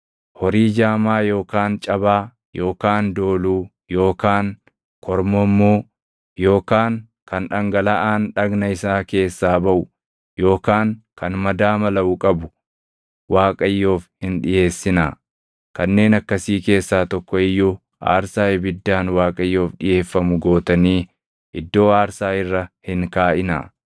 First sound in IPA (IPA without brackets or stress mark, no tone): h